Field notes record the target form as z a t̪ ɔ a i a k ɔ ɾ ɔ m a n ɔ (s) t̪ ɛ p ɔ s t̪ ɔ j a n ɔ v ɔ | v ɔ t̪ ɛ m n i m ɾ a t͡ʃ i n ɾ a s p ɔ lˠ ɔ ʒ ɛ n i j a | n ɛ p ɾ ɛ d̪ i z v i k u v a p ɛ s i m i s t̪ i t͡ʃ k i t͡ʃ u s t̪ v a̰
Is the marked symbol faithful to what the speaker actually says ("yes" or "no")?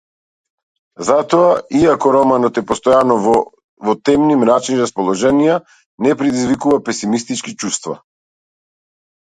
no